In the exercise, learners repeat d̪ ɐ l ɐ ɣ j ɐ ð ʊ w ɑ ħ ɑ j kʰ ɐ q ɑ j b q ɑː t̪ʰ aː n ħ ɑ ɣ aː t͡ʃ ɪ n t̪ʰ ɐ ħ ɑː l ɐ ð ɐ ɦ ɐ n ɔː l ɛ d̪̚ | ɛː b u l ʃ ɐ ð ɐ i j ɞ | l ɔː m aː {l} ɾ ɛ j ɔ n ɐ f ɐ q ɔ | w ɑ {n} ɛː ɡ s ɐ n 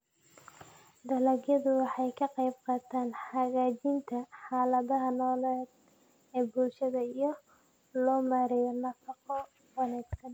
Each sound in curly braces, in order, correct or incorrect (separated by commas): incorrect, correct